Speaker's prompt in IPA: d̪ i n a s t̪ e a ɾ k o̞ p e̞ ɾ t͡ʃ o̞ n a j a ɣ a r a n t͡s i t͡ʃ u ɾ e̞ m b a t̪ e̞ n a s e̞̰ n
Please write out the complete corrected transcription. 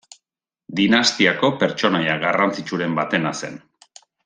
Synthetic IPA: d̪ i n a s t̪ i a k o̞ p e̞ ɾ t͡ʃ o̞ n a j a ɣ a r a n t͡s i t͡ʃ u ɾ e̞ m b a t̪ e̞ n a s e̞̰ n